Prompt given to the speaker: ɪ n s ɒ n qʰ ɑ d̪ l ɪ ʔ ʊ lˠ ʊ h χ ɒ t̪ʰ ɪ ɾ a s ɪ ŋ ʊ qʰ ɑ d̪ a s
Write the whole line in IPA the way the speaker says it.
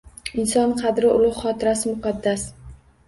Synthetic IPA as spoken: ɪ n s ɒ n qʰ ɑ d̪ ɾ ɪ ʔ ʊ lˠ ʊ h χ ɒ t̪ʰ ɪ ɾ a s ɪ m ʊ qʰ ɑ d̪ː a s

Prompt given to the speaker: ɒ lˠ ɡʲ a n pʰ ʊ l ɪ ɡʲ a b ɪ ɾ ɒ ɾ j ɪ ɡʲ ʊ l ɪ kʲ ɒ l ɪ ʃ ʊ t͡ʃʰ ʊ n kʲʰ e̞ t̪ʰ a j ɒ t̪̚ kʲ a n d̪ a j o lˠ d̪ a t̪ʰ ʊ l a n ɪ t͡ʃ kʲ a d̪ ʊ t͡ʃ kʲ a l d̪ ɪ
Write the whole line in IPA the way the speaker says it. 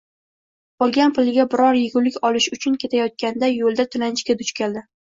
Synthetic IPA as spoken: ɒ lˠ ɡʲ a n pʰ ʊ l ɪ ɡʲ a b ɪ ɾ ɒ ɾ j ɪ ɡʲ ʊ l ɪ kʲ ɒ l ɪ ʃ ʊ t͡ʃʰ ʊ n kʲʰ e̞ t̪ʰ a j ɒ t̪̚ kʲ a n d̪ a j o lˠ d̪ a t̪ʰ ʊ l a n ɪ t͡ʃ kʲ a d̪ ʊ t͡ʃ kʲ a l d̪ ɪ

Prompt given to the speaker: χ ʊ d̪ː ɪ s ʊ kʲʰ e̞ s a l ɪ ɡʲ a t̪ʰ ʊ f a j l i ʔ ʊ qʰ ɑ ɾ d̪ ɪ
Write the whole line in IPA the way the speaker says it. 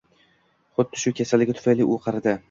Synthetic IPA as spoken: χ ʊ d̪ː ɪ ʃ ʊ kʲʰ e̞ s a l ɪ ɡʲ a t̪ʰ ʊ f a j l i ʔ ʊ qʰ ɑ ɾ d̪ ɪ

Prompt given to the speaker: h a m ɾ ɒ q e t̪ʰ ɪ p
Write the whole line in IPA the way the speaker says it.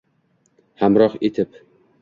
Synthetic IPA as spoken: h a m ɾ ɒ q e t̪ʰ ɪ p

